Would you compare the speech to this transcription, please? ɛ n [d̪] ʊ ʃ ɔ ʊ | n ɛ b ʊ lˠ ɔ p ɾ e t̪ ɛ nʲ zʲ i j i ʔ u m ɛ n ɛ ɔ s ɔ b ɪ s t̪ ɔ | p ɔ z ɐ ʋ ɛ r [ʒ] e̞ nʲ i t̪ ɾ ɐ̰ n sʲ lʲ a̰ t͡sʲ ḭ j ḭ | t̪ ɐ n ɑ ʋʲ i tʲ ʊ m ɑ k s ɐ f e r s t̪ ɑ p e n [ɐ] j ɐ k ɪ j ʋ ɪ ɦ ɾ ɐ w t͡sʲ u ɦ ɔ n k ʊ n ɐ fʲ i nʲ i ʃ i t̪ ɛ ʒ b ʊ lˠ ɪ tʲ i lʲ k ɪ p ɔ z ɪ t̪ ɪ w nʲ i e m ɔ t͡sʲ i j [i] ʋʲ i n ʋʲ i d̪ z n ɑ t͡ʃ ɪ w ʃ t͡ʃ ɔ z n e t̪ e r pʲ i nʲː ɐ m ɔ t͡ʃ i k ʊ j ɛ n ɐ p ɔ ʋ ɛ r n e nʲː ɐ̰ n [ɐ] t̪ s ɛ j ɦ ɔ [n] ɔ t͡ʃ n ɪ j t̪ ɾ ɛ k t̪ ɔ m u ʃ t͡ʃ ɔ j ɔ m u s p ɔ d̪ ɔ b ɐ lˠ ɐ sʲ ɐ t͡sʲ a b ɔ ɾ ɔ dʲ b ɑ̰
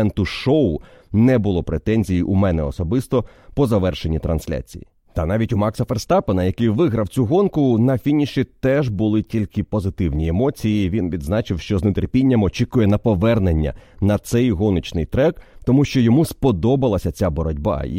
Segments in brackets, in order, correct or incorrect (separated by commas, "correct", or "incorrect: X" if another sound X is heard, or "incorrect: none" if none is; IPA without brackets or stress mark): incorrect: t̪, incorrect: ʃ, correct, correct, correct, correct